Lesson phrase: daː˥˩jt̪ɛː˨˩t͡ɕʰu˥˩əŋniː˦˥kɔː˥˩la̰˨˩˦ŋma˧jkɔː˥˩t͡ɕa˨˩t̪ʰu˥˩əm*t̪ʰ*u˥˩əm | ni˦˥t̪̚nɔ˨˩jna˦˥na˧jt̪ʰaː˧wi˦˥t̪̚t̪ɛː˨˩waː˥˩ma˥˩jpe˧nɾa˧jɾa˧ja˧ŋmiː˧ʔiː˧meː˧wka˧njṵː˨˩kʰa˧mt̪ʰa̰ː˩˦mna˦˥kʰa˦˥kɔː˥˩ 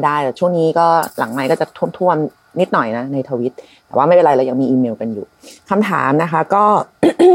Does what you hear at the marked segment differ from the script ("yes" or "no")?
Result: no